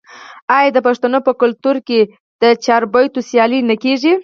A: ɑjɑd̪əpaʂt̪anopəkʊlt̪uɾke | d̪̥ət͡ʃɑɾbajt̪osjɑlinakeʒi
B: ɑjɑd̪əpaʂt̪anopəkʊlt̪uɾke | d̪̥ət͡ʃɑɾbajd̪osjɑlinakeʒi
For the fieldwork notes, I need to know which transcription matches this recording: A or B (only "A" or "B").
A